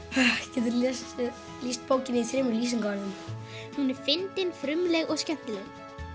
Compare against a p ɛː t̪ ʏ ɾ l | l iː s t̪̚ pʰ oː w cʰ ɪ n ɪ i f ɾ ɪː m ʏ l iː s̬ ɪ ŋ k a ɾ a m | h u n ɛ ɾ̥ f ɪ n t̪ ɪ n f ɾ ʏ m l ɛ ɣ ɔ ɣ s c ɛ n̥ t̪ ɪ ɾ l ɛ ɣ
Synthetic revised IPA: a c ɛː t̪ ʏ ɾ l | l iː s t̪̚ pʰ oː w c ɪ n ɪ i θ ɾ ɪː m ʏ l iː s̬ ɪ ŋ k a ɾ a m | h u n ɛ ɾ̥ f ɪ n t̪ ɪ n f ɾ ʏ m l ɛ ɣ ɔ ɣ s c ɛ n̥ t̪ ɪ l ɛ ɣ